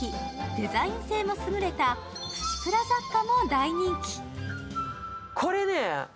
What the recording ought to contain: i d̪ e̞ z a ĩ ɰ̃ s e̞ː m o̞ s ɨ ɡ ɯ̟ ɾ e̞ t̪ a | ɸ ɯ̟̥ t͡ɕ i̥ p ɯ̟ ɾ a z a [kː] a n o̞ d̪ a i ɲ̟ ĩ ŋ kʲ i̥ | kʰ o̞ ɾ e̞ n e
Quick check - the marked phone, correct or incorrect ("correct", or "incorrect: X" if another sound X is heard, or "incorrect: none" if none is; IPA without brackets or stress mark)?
correct